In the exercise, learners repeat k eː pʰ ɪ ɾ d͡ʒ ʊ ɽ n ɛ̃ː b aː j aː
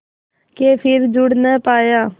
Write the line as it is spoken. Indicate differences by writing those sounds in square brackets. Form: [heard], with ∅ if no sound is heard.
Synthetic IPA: k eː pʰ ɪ ɾ d͡ʒ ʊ ɽ n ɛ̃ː [p] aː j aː